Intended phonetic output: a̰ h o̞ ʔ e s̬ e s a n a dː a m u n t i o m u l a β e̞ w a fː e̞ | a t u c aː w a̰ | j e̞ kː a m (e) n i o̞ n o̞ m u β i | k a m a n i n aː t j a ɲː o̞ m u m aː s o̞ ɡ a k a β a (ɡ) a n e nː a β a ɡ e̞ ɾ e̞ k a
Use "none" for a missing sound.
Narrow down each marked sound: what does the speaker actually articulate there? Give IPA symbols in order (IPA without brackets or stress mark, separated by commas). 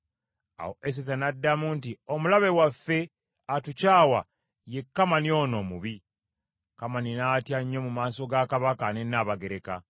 a, k